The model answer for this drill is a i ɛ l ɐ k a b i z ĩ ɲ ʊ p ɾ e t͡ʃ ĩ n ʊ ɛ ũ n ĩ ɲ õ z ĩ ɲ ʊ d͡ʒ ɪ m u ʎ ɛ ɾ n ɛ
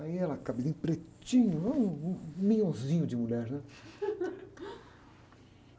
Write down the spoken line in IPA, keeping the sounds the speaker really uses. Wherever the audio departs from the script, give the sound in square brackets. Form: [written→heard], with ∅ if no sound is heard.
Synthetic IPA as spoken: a i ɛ l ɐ k a b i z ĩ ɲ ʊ p ɾ e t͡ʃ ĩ [n→ɲ] ʊ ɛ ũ [n→m] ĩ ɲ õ z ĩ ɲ ʊ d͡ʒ ɪ m u ʎ ɛ ɾ n ɛ